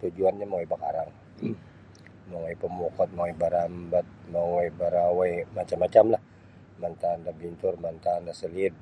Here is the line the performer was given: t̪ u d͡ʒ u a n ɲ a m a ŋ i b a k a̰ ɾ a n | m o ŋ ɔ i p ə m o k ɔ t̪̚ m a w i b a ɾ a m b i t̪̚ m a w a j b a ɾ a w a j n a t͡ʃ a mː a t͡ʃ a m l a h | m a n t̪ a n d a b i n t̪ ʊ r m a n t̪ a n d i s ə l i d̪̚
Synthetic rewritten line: t̪ u d͡ʒ u a n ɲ a m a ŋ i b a k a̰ ɾ a ŋ | m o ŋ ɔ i p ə m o k ɔ t̪̚ m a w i b a ɾ a m b a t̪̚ m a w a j b a ɾ a w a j m a t͡ʃ a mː a t͡ʃ a m l a h | m a n t̪ a n d a b i n t̪ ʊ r m a n t̪ a n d a s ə l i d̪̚